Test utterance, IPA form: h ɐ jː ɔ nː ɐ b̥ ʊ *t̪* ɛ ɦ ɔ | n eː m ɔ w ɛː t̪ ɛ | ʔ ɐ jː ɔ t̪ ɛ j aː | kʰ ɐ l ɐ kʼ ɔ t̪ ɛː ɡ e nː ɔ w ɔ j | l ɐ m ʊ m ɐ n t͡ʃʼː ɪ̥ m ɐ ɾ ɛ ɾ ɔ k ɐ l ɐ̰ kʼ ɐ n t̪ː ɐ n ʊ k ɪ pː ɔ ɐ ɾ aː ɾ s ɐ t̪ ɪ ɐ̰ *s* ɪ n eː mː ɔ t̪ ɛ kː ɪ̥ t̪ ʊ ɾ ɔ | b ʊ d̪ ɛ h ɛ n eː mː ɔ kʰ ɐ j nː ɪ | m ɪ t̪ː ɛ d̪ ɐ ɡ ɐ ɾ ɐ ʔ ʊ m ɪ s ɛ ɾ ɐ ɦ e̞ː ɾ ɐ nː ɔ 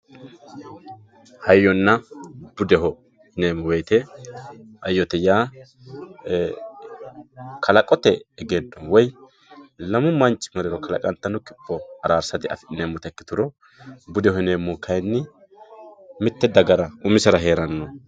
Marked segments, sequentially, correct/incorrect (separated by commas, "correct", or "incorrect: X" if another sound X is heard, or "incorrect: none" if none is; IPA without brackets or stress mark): incorrect: d̪, incorrect: f